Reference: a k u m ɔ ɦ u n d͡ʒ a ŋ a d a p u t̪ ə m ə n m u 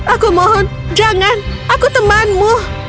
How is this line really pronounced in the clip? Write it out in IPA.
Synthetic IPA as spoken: a k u m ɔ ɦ ɔ n d͡ʒ a ŋ a n a k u t̪ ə m a n m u